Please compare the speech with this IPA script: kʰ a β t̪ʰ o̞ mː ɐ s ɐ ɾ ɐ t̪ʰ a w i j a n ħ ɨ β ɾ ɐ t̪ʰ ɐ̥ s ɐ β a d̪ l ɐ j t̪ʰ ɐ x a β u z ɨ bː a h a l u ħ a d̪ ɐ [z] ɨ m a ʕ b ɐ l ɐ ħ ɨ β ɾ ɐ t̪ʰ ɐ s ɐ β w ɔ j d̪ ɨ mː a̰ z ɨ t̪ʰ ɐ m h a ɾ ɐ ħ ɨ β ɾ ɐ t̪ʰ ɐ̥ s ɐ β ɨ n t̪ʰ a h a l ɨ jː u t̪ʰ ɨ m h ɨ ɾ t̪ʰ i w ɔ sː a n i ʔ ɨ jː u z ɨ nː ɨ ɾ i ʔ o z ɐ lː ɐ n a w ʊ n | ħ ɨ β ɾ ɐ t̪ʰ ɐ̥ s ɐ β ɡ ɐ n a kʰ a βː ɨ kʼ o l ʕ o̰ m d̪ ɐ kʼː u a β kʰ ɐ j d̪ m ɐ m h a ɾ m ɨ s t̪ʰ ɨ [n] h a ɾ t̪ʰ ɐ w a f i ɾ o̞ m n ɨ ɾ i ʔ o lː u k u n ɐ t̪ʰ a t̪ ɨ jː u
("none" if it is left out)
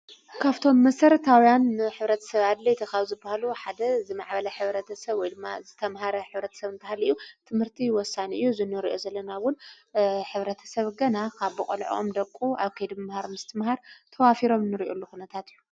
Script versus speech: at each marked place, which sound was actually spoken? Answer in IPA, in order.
z, m

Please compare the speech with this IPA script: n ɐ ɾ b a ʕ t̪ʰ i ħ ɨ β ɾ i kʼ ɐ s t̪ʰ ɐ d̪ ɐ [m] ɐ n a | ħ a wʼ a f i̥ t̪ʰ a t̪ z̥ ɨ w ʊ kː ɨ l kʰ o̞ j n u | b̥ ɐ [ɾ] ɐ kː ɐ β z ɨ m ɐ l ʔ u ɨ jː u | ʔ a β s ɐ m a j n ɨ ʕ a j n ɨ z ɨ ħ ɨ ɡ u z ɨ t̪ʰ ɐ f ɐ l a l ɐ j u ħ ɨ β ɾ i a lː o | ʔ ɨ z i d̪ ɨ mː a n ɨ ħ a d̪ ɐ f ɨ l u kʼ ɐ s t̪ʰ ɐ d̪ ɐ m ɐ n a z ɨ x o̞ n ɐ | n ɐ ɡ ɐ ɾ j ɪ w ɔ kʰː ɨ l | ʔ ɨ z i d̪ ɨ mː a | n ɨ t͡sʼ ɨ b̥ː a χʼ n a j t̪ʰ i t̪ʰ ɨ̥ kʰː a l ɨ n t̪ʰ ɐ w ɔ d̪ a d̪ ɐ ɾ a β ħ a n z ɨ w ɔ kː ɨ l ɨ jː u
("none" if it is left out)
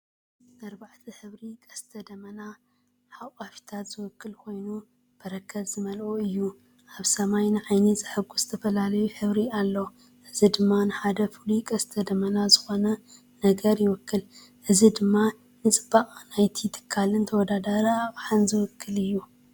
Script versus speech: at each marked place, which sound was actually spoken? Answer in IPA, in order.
m, ɾ

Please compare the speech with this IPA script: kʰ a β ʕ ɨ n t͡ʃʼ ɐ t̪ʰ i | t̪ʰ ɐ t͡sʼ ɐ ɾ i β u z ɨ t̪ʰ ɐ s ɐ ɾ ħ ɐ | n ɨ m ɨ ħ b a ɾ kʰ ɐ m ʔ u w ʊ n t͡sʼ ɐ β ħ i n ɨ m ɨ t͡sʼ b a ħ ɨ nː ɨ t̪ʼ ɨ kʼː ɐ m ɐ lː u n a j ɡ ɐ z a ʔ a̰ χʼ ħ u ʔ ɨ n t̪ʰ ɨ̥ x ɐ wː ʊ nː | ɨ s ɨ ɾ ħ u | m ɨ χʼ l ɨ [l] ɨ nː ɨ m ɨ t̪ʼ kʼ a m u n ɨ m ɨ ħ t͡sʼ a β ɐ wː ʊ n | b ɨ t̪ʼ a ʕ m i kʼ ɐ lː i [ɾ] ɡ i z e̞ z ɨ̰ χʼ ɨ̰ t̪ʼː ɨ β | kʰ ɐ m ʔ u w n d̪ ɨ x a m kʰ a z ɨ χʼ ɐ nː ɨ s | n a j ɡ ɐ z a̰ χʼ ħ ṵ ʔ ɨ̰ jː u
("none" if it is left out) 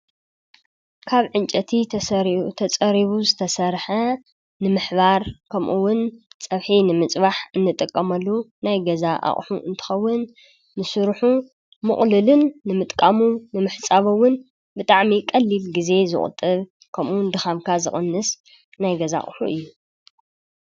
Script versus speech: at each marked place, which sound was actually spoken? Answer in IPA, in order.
l, l

